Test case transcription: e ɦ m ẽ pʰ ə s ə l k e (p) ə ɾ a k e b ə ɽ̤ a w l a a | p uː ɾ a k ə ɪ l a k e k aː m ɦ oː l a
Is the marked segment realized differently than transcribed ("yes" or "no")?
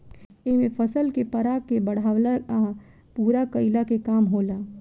no